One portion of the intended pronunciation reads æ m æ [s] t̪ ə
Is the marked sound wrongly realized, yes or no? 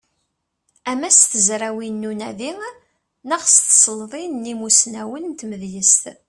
no